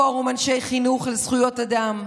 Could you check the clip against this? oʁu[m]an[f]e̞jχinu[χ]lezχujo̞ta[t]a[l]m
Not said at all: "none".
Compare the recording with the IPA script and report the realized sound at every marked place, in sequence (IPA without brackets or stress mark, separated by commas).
m, ʃ, χ, d, none